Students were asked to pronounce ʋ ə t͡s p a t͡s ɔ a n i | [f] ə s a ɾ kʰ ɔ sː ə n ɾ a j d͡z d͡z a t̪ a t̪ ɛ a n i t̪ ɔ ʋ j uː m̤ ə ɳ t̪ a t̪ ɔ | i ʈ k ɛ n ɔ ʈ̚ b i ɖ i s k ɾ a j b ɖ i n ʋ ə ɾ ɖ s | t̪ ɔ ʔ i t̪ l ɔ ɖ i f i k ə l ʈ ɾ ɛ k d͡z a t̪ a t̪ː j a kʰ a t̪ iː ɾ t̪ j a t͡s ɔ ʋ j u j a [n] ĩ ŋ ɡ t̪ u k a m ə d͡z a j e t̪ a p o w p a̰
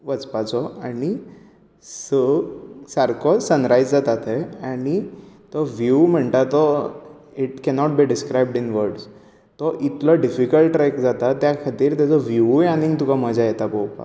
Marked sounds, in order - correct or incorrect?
incorrect: s, correct

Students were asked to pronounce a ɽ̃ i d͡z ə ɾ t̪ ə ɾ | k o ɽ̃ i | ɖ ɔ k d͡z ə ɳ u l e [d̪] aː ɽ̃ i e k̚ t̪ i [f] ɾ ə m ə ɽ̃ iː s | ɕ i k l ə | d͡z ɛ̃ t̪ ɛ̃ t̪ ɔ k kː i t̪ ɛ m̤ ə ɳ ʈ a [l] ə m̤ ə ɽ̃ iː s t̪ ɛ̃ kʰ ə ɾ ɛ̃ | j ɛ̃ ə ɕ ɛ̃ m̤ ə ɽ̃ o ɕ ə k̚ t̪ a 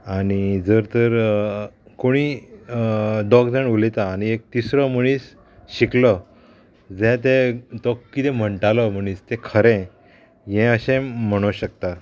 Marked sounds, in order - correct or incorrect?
incorrect: t̪, incorrect: s, correct

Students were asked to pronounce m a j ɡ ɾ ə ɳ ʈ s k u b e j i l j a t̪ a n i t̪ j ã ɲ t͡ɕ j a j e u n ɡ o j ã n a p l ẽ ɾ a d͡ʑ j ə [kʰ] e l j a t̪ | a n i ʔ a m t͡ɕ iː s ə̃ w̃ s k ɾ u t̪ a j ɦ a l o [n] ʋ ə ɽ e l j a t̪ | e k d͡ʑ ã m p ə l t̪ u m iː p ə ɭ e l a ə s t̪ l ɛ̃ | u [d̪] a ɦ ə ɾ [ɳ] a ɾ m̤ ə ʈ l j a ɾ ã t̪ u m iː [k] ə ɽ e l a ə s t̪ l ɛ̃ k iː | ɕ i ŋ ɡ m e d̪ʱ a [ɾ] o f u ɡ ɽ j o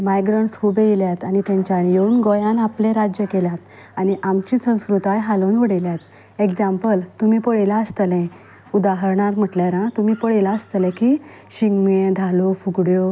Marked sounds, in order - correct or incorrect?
incorrect: k, correct, correct, correct, incorrect: p, incorrect: l

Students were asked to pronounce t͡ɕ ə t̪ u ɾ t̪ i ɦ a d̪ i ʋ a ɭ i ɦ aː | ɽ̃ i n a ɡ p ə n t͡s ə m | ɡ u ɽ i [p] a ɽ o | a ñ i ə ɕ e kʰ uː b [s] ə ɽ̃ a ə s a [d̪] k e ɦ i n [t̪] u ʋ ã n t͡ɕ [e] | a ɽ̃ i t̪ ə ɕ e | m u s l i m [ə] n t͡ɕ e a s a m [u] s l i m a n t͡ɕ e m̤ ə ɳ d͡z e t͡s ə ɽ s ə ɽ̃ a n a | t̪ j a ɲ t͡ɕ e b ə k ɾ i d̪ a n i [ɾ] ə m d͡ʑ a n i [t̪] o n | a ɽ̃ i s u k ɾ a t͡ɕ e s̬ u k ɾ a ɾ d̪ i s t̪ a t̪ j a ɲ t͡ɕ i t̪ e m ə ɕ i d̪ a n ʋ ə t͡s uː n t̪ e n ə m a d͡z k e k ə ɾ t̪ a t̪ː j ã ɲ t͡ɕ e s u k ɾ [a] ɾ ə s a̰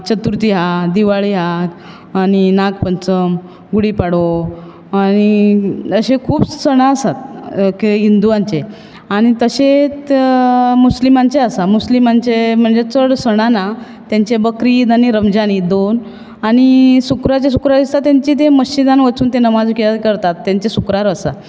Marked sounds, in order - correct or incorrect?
correct, correct, incorrect: t̪, incorrect: d̪, correct, incorrect: a, correct, correct, incorrect: d̪, correct

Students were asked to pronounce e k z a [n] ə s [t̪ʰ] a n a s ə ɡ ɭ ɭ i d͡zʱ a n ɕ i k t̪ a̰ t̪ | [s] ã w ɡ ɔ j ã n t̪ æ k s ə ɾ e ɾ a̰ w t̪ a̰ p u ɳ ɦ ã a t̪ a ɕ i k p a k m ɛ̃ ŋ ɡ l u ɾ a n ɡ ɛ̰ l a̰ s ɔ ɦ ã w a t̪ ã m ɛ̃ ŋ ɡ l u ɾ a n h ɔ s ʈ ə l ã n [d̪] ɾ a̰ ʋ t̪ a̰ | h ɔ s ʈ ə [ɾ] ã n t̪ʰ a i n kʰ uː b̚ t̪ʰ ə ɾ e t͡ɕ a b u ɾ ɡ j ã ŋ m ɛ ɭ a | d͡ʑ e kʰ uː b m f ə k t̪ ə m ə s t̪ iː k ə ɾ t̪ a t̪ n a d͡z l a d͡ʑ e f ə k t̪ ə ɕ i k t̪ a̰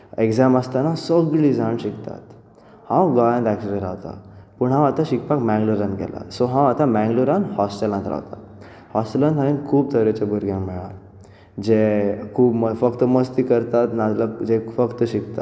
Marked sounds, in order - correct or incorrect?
incorrect: m, incorrect: t̪, incorrect: h, incorrect: t̪, incorrect: l

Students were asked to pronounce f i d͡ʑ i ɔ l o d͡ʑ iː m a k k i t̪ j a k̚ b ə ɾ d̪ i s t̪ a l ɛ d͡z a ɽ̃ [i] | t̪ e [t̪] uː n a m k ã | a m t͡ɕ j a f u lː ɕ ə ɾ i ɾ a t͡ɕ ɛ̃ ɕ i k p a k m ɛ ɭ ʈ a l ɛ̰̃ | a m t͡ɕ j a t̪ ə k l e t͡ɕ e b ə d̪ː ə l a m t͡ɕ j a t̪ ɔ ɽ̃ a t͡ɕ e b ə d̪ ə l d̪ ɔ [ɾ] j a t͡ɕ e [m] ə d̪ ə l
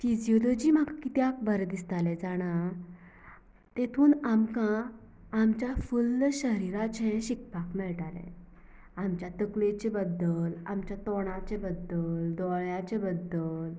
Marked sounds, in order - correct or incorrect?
incorrect: a, incorrect: t̪ʰ, incorrect: ɭ, incorrect: b

